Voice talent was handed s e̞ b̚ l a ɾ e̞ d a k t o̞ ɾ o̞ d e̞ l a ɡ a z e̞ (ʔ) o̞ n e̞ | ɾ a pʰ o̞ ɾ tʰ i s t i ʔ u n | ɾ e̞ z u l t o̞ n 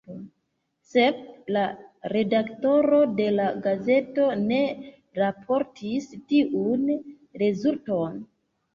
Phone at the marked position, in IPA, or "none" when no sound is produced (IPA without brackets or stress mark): t